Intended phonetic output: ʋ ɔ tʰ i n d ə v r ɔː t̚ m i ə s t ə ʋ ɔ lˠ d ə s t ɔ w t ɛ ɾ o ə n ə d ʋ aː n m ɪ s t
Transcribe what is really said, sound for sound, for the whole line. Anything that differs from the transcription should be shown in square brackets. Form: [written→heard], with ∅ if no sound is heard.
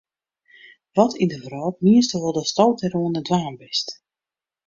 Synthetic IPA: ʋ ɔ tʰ i n d ə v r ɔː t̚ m i ə s t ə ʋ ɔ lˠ d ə s t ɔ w t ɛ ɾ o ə n ə d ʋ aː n [m→b] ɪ s t